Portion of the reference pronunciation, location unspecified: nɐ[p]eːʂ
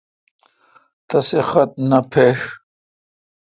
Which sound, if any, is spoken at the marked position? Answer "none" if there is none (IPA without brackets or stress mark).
pʰ